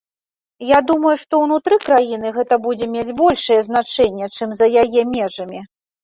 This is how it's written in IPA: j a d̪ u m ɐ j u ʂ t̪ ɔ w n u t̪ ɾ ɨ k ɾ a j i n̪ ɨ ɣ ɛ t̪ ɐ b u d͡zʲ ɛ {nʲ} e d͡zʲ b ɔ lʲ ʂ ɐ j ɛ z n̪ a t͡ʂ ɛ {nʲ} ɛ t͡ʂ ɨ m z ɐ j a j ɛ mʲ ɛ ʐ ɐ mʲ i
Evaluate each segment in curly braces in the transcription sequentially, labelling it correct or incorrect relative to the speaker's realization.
incorrect, incorrect

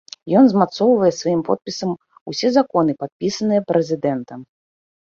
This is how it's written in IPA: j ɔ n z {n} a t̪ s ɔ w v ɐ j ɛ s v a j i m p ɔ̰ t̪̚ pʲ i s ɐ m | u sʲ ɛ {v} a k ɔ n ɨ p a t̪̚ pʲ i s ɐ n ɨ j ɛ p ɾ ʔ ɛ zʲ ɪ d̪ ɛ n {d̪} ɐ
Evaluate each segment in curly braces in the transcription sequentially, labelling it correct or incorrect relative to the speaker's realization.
incorrect, incorrect, incorrect

